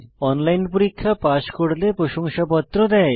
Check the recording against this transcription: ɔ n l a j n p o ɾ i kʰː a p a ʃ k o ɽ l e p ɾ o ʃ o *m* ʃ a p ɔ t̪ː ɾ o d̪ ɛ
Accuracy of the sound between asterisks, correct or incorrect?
incorrect